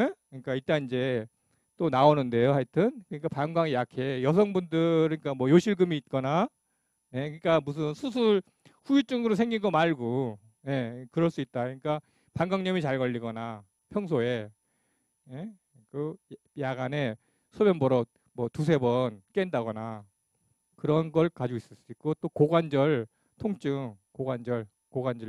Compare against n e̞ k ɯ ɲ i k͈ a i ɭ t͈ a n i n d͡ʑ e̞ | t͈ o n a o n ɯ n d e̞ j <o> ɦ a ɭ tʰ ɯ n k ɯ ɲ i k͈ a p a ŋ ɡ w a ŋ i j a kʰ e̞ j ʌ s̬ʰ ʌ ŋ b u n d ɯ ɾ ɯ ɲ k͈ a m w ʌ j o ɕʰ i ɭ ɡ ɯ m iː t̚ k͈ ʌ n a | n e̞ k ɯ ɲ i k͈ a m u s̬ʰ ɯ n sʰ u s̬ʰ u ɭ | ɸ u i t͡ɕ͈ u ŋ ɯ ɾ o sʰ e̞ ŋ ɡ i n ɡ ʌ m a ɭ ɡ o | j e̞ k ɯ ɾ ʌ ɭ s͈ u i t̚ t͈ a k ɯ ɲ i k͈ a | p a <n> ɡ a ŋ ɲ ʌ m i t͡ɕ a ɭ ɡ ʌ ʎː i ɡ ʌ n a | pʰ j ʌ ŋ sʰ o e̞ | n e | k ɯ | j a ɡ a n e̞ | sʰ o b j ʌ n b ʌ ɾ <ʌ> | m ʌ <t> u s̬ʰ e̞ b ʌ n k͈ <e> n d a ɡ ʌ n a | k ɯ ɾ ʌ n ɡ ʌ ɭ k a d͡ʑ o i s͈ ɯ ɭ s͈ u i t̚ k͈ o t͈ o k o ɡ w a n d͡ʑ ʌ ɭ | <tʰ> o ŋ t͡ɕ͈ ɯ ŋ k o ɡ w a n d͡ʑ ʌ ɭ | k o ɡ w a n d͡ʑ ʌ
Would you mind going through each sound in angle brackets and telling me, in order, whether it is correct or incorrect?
correct, incorrect: ŋ, correct, correct, correct, correct

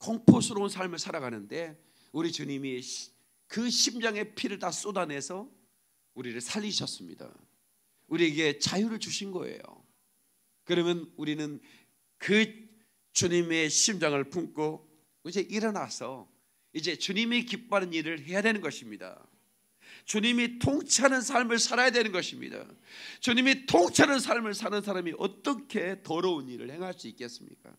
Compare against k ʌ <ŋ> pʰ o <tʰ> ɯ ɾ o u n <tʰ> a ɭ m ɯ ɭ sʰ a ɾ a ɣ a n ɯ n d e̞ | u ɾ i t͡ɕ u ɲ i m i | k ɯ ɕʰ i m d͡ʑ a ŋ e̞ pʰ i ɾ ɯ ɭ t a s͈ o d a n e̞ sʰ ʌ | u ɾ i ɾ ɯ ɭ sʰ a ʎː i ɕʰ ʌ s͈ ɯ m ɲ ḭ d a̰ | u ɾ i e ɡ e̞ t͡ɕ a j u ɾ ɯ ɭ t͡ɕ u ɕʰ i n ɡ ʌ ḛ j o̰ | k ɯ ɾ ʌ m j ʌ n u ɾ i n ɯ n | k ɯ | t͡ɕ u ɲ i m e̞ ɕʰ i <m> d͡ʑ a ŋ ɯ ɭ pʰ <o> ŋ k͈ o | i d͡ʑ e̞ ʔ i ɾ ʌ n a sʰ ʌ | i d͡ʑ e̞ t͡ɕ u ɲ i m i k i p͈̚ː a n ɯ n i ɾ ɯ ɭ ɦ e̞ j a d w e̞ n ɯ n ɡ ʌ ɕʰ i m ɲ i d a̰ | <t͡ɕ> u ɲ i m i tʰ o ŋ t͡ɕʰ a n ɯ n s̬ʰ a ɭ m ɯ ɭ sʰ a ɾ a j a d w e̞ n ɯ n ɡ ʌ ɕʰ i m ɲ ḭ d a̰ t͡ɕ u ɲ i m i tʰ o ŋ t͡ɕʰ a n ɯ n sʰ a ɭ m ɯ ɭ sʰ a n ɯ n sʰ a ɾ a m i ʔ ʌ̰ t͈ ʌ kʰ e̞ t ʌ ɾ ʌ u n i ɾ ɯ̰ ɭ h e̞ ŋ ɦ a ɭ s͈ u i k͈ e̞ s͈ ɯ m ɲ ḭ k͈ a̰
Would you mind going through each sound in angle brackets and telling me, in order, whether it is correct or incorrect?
correct, incorrect: sʰ, incorrect: sʰ, correct, incorrect: u, correct

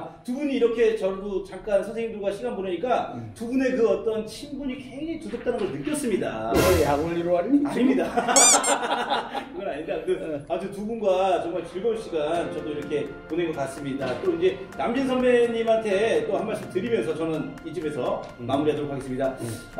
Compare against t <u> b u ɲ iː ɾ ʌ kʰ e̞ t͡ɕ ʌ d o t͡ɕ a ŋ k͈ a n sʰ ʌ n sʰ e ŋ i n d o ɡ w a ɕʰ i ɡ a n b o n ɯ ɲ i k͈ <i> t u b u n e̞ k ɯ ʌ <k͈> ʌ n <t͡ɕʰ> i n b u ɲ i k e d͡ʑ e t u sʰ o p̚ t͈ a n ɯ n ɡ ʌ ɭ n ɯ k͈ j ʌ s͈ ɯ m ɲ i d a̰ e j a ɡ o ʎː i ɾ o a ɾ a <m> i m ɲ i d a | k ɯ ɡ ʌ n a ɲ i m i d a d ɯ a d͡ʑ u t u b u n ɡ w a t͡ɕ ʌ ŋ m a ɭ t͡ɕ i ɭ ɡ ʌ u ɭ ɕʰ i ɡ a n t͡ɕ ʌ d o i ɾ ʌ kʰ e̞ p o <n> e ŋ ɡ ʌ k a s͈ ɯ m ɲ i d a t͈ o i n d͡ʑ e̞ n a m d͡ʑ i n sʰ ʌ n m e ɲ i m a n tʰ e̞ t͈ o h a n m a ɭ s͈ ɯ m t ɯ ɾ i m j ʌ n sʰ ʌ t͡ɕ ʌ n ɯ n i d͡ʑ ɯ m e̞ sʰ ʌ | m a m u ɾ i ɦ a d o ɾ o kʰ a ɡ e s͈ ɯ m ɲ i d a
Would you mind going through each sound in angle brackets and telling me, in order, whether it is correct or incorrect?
correct, incorrect: a, incorrect: t͈, correct, incorrect: ɲ, correct

